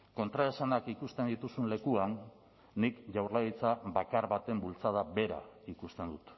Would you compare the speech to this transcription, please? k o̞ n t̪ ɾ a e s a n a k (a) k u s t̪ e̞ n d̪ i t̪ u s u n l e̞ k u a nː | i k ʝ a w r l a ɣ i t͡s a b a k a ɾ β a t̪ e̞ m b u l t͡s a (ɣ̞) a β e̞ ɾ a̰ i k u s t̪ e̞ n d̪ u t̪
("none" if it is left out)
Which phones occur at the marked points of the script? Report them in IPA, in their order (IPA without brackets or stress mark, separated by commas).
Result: i, ð̞